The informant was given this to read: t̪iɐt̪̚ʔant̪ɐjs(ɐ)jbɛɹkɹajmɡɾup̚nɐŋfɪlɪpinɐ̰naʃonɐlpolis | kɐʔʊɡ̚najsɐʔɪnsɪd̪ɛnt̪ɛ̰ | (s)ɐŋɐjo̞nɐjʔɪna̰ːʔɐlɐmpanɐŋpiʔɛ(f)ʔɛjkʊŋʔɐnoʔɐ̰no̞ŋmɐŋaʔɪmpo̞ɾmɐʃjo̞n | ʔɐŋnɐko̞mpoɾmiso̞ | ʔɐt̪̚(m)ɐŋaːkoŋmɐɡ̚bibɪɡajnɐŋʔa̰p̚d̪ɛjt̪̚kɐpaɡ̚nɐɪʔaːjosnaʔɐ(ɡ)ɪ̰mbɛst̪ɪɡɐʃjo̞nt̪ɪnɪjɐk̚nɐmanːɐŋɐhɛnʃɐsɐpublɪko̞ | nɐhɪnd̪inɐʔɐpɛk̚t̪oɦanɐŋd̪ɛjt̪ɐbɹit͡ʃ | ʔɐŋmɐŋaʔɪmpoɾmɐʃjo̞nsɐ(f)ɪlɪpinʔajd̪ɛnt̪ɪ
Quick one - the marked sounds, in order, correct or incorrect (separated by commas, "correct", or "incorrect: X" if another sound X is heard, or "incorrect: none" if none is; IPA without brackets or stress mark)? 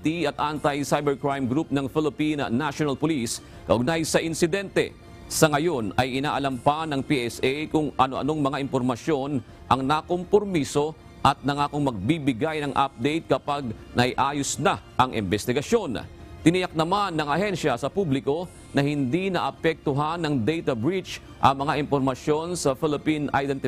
incorrect: a, correct, incorrect: s, incorrect: n, incorrect: ŋ, correct